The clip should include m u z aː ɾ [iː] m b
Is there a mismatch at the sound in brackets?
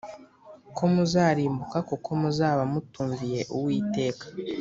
no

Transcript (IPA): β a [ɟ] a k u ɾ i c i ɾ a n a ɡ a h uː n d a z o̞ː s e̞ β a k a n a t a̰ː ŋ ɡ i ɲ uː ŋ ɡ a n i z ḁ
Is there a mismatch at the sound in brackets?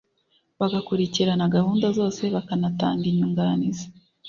yes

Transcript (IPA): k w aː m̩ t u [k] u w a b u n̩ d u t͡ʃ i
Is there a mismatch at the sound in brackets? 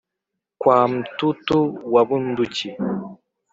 yes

